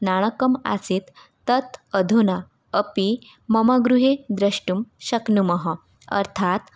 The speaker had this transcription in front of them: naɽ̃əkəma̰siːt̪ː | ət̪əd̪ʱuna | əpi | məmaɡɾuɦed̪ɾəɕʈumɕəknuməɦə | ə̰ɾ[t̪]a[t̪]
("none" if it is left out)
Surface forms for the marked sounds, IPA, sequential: t̪ʰ, t̪

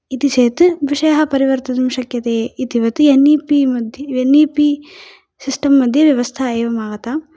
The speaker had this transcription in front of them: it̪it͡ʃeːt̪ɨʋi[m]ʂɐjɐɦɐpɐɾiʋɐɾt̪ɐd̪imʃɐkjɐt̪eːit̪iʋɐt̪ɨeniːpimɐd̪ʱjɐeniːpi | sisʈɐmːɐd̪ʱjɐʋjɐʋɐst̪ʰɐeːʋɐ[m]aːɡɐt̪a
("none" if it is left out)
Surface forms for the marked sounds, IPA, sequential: none, m

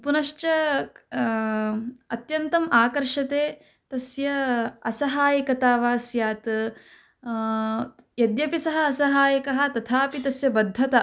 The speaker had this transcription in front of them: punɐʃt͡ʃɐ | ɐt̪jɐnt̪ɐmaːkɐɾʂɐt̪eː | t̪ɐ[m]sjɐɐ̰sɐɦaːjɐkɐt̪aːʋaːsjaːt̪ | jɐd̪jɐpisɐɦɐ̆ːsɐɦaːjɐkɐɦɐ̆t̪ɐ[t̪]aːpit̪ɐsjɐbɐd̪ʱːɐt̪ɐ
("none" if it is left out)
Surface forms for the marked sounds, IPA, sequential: none, t̪ʰ

